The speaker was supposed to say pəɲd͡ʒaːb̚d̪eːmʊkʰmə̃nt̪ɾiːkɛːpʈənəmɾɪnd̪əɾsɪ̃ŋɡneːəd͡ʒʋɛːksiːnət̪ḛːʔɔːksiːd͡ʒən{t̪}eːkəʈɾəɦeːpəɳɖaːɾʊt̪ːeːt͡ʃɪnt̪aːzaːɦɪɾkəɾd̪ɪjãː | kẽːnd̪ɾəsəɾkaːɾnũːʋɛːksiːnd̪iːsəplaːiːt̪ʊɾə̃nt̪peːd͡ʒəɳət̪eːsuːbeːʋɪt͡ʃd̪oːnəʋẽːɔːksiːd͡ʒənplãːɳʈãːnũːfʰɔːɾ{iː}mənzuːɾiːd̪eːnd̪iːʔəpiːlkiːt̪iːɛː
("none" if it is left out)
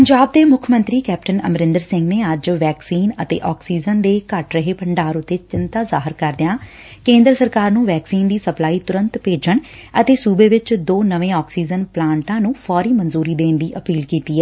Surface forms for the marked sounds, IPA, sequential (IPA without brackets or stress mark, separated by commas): d̪, iː